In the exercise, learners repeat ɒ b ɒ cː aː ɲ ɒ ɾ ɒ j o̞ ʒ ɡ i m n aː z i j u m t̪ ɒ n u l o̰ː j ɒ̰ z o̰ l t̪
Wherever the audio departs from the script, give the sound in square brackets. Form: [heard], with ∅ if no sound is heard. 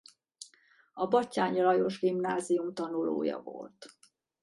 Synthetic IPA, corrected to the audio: ɒ b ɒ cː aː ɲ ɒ [l] ɒ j o̞ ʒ ɡ i m n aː z i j u m t̪ ɒ n u l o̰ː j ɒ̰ [v] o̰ l t̪

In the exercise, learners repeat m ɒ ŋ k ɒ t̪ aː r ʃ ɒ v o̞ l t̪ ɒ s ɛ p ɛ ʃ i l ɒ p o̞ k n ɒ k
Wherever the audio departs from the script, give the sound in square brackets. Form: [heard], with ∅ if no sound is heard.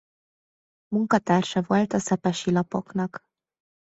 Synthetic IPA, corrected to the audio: m [u] ŋ k ɒ t̪ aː r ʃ ɒ v o̞ l t̪ ɒ s ɛ p ɛ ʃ i l ɒ p o̞ k n ɒ k

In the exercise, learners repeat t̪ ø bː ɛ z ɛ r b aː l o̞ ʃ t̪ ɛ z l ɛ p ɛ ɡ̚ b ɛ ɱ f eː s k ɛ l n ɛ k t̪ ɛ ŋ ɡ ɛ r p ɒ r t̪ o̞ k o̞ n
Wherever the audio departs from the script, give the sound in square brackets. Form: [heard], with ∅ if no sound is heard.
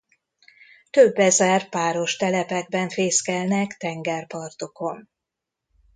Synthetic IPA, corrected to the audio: t̪ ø bː ɛ z ɛ r [p] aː [ɾ] o̞ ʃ t̪ ɛ [∅] l ɛ p ɛ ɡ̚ b ɛ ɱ f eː s k ɛ l n ɛ k t̪ ɛ ŋ ɡ ɛ r p ɒ r t̪ o̞ k o̞ n

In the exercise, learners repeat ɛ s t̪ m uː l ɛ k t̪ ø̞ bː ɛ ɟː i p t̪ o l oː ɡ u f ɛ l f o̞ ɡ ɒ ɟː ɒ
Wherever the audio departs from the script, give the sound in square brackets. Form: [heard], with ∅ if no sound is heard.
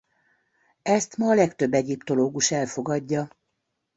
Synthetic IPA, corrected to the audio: ɛ s t̪ m [ɒː] l ɛ k t̪ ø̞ bː ɛ [ɟ] i p t̪ o l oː ɡ u [ʃ] ɛ l f o̞ ɡ ɒ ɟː ɒ

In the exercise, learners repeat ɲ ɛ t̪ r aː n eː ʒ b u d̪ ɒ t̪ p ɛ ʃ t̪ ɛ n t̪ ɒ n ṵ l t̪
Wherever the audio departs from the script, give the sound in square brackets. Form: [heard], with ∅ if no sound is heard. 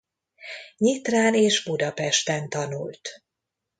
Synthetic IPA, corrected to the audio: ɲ [i] t̪ r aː n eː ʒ b u d̪ ɒ [∅] p ɛ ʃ t̪ ɛ n t̪ ɒ n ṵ l t̪

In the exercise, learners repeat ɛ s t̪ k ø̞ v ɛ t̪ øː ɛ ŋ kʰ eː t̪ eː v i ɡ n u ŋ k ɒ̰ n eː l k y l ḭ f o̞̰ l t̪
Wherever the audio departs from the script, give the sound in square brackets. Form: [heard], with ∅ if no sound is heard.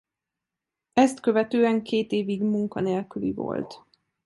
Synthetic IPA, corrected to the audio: ɛ s t̪ k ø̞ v ɛ t̪ øː ɛ ŋ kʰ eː t̪ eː v i ɡ [m] u ŋ k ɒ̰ n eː l k y l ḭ [v] o̞̰ l t̪

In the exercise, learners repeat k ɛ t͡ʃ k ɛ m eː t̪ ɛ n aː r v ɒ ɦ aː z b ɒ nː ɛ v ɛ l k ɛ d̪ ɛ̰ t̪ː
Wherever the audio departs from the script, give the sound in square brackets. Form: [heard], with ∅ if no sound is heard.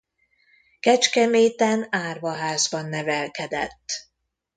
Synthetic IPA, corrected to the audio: k ɛ t͡ʃ k ɛ m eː t̪ ɛ n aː r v ɒ ɦ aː z b ɒ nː ɛ v ɛ l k ɛ d̪ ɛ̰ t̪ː

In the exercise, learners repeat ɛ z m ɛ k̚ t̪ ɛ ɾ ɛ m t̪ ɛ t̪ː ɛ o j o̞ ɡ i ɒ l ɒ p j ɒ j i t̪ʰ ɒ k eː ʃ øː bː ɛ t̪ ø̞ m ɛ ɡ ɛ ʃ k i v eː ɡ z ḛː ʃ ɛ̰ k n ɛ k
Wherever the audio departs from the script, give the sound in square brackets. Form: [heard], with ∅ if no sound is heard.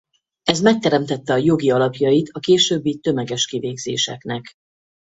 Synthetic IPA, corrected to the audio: ɛ z m ɛ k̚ t̪ ɛ ɾ ɛ m t̪ ɛ t̪ː ɛ [ɒ] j o̞ ɡ i ɒ l ɒ p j ɒ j i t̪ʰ ɒ k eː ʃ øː bː [i] t̪ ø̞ m ɛ ɡ ɛ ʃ k i v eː ɡ z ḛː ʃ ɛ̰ k n ɛ k

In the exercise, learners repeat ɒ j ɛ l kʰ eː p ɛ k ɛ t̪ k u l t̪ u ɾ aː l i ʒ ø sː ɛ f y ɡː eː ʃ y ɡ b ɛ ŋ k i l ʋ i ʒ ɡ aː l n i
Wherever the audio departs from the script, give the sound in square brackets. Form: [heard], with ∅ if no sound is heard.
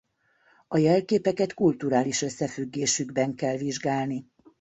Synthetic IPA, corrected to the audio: ɒ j ɛ l [k] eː p ɛ k ɛ t̪ k u l t̪ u ɾ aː l i [ʃ] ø sː ɛ f y ɡː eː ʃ y ɡ b ɛ ŋ k [ɛ] l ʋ i ʒ ɡ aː l n i

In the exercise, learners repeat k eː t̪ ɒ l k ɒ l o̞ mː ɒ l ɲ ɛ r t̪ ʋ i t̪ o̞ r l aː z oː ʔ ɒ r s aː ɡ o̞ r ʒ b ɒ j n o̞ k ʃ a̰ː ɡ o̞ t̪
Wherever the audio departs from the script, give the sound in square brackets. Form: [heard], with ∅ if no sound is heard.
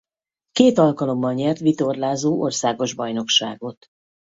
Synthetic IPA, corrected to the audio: k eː t̪ ɒ l k ɒ l o̞ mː ɒ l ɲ ɛ r t̪ ʋ i t̪ o̞ r l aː z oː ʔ [o] r s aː ɡ o̞ [∅] ʒ b ɒ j n o̞ k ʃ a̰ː ɡ o̞ t̪

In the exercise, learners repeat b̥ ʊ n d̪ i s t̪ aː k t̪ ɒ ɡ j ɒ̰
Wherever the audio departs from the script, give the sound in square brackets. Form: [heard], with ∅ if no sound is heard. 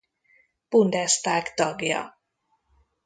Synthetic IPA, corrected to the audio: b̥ [u] n d̪ [ɛ] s t̪ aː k t̪ ɒ ɡ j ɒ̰

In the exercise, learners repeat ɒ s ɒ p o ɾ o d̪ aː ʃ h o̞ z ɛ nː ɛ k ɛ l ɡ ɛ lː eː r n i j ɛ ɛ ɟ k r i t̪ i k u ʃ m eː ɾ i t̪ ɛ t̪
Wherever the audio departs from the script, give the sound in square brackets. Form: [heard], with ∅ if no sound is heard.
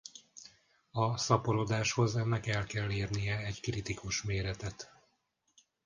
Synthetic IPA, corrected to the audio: ɒ s ɒ p o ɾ o d̪ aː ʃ h o̞ z ɛ nː ɛ k ɛ l [k] ɛ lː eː r n i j ɛ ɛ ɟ k r i t̪ i k u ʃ m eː ɾ [ɛ] t̪ ɛ t̪

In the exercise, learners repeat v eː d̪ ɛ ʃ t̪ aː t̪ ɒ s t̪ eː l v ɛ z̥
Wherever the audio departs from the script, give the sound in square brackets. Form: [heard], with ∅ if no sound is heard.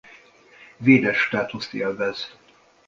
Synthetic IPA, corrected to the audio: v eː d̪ ɛ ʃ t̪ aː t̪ [u] s t̪ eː l v ɛ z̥

